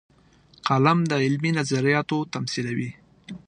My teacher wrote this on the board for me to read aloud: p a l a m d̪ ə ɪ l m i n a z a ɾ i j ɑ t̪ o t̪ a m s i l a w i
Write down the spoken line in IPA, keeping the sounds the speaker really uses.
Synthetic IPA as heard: q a l a m d̪ ə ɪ l m i n a z a ɾ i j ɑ t̪ o t̪ a m s i l a w i